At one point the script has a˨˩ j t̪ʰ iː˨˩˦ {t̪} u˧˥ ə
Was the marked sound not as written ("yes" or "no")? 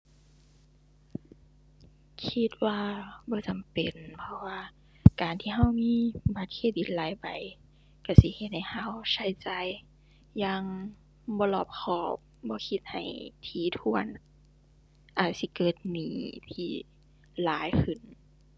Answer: yes